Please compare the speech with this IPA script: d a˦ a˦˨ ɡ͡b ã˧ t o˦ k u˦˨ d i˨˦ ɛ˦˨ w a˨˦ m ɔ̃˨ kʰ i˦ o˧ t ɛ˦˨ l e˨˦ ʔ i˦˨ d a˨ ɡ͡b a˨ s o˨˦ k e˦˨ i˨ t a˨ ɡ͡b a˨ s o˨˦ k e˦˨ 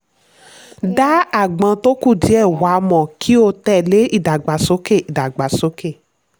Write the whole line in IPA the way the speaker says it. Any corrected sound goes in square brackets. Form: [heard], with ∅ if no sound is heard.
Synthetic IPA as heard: d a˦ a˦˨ ɡ͡b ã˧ t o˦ k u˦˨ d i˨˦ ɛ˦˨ w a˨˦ m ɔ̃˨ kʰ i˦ o˧ t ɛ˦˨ l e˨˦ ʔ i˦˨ d a˨ ɡ͡b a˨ s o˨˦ k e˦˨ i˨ [d] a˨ ɡ͡b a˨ s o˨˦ k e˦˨